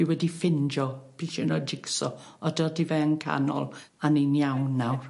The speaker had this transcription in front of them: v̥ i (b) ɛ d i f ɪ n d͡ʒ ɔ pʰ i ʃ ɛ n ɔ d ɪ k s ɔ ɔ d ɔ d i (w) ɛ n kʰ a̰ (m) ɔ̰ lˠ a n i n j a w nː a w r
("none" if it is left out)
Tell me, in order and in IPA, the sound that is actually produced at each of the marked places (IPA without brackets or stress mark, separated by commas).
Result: w, v, n